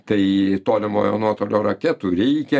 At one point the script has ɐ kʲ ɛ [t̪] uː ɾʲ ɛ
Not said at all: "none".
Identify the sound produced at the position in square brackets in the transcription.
t̪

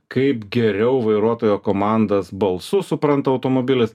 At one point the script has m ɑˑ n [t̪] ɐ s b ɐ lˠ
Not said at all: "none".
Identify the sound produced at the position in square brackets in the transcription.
d̪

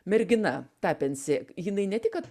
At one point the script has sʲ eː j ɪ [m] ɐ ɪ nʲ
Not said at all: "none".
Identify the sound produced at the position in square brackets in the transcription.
n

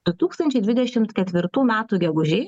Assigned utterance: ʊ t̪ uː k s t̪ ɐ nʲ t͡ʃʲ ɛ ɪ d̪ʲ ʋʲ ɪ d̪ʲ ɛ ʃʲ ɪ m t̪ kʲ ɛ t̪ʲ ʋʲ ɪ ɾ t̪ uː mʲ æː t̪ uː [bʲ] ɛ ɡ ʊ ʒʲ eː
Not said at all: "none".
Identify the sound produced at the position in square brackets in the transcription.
ɡʲ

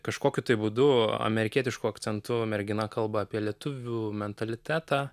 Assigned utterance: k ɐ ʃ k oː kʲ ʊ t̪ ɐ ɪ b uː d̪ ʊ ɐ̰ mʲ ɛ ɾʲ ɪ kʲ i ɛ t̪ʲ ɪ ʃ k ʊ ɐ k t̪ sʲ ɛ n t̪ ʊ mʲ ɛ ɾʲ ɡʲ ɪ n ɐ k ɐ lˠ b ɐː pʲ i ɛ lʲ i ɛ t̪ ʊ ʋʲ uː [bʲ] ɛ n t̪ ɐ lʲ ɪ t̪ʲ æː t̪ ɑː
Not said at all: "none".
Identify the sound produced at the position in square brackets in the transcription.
mʲ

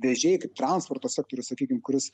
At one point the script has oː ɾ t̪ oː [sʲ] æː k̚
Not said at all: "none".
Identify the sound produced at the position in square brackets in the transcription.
sʲ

